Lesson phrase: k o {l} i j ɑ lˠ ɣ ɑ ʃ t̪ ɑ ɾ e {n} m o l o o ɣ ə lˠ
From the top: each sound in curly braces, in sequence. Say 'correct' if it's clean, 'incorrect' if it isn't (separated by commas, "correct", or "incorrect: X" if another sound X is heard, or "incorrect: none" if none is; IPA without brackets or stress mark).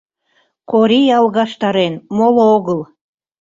incorrect: ɾ, correct